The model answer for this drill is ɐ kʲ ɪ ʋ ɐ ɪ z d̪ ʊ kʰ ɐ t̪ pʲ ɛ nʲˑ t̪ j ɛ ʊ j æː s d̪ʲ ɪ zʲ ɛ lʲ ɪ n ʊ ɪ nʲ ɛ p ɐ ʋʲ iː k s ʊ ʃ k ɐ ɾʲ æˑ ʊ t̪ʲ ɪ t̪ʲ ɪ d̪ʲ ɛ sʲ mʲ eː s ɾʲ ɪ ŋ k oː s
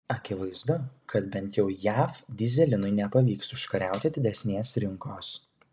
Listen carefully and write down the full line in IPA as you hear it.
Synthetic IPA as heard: ɐ kʲ ɪ ʋ ɐ ɪ z d̪ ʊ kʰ ɐ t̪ bʲ ɛ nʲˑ t̪ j ɛ ʊ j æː f d̪ʲ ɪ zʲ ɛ lʲ ɪ n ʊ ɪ nʲ ɛ p ɐ ʋʲ iː k s ʊ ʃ k ɐ ɾʲ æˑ ʊ t̪ʲ ɪ d̪ʲ ɪ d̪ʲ ɛ sʲ nʲ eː s ɾʲ ɪ ŋ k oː s